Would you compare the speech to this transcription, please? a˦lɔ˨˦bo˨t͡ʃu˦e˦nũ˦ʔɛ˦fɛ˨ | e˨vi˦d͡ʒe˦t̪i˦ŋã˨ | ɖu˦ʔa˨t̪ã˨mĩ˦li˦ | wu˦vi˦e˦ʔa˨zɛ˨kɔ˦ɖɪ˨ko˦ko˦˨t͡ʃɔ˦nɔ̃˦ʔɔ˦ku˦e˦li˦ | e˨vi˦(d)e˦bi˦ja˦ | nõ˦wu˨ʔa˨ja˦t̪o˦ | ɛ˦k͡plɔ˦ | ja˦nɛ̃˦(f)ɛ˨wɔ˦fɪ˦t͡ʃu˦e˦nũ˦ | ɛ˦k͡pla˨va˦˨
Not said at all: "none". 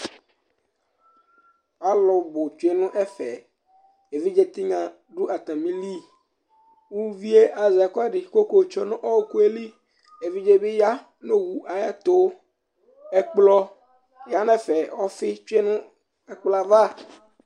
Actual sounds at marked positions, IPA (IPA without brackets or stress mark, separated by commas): d͡ʒ, f